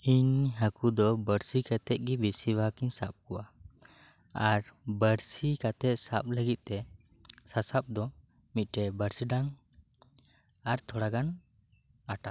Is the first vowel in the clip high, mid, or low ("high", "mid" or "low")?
high